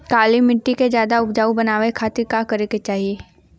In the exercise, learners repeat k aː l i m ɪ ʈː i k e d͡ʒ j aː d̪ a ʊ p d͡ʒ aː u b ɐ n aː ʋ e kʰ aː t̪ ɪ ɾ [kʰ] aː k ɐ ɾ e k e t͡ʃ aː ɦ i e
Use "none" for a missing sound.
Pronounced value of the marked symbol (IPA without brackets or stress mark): k